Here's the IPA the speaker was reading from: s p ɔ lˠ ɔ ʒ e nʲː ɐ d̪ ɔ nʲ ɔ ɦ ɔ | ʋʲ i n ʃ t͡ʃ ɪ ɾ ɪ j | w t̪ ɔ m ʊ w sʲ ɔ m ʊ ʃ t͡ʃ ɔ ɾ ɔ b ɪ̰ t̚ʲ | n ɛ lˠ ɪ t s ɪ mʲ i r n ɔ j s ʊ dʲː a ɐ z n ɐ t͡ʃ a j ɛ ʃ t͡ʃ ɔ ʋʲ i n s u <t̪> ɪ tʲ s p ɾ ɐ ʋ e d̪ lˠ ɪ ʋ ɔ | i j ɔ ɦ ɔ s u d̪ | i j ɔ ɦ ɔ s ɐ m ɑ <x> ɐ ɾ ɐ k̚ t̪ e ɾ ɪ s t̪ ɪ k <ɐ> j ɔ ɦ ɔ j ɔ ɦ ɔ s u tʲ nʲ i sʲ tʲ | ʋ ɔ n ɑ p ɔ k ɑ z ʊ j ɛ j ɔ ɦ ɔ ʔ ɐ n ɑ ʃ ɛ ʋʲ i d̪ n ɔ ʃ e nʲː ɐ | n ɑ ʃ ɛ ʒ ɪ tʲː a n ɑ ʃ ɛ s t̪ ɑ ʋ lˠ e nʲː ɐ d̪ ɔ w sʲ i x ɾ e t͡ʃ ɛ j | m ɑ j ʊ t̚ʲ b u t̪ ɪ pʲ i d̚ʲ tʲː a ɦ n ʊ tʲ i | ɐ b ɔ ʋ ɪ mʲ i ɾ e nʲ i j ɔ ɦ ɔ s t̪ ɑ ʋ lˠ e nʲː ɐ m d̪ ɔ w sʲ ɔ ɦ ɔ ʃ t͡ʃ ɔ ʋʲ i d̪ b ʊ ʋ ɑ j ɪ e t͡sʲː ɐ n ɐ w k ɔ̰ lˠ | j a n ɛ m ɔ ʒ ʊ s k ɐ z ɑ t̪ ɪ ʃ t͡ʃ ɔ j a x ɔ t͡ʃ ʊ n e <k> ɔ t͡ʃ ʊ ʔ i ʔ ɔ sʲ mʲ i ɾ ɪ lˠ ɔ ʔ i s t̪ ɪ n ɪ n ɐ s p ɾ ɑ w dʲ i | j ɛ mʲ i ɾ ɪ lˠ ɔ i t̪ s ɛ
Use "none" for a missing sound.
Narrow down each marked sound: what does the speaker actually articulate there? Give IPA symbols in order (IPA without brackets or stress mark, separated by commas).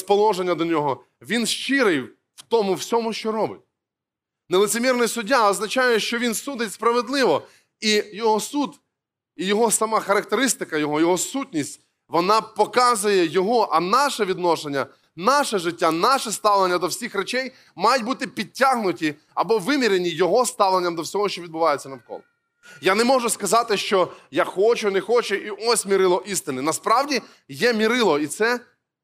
d̪, x, ɐ, x